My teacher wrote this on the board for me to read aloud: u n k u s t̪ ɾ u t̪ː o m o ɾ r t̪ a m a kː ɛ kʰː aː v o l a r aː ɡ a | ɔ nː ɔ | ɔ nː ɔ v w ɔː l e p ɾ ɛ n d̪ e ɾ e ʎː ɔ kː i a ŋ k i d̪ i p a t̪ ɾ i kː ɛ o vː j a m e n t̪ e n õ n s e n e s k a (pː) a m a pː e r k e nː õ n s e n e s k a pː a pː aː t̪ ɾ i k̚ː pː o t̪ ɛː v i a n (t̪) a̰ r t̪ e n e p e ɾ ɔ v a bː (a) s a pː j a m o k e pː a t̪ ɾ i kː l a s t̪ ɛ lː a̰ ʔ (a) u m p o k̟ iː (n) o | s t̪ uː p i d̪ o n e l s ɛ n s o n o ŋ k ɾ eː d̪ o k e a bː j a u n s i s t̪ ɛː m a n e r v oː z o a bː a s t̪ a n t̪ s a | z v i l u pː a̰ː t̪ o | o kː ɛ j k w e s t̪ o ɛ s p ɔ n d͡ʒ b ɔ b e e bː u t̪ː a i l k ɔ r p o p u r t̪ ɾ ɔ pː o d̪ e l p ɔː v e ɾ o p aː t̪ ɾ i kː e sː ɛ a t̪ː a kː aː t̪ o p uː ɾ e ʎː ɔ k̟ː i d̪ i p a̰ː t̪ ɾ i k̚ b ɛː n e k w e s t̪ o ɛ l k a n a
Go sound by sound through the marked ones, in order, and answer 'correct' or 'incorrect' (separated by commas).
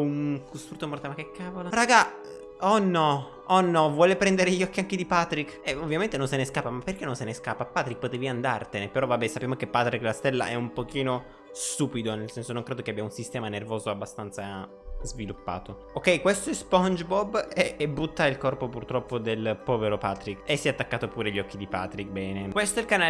correct, incorrect, incorrect, incorrect, correct